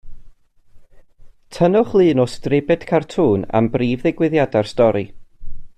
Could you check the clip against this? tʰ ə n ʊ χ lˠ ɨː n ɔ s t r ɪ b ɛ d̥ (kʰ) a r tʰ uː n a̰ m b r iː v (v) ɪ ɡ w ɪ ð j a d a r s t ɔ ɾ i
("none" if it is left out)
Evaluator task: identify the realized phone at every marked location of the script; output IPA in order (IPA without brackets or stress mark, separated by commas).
kʰ, ð